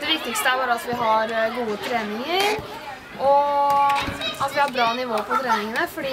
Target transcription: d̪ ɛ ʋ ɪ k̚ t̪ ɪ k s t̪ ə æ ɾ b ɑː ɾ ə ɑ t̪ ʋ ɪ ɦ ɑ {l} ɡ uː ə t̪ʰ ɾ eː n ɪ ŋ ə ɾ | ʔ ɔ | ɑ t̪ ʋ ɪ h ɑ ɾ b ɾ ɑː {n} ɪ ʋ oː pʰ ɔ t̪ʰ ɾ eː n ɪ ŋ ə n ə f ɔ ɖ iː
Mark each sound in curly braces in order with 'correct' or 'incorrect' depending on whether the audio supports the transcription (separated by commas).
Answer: incorrect, correct